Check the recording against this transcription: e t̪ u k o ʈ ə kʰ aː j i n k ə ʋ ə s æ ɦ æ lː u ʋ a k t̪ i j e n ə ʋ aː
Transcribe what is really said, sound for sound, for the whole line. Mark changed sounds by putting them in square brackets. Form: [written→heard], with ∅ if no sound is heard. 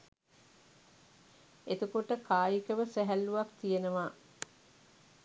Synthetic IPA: e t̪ u k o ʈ ə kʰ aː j i [n→∅] k ə ʋ ə s æ ɦ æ lː u ʋ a k t̪ i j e n ə ʋ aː